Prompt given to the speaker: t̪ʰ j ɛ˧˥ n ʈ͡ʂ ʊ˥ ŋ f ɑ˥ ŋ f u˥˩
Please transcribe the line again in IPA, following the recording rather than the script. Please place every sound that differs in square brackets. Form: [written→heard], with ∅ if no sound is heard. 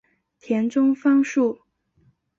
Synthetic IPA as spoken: t̪ʰ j ɛ˧˥ n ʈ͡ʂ ʊ˥ ŋ f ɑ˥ ŋ [f→ʂ] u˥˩